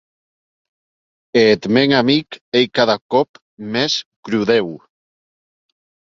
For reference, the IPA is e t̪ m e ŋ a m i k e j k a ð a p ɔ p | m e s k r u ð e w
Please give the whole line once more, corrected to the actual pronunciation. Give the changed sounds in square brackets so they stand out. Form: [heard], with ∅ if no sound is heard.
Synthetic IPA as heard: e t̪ m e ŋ a m i k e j k a ð a [k] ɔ p | m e s k [ɾ] u ð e w